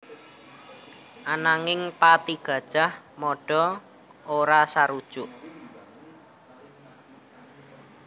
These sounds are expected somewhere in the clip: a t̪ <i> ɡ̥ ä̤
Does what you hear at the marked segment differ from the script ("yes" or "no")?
no